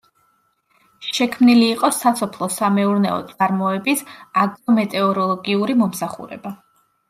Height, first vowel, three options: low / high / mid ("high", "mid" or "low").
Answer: mid